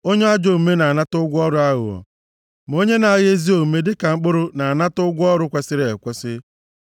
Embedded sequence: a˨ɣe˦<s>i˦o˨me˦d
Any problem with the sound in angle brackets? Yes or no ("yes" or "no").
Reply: yes